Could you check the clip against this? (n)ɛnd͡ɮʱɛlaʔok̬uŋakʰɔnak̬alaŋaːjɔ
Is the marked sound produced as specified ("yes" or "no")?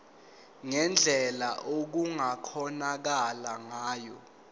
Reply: no